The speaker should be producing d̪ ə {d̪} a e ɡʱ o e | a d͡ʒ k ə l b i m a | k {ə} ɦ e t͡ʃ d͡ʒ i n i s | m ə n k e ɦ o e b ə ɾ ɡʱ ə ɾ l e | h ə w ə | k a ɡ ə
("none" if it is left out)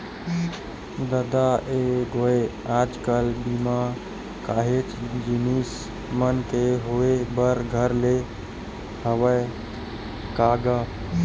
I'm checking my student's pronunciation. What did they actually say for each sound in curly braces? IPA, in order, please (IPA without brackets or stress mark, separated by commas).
d̪, a